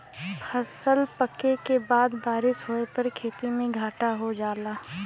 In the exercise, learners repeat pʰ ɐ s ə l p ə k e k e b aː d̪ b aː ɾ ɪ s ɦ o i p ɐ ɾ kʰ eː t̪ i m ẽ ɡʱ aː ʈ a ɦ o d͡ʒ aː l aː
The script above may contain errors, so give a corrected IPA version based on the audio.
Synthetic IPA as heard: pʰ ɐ s ə l p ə k e k e b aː d̪ b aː ɾ ɪ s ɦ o e p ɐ ɾ kʰ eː t̪ i m ẽ ɡʱ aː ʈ a ɦ o d͡ʒ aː l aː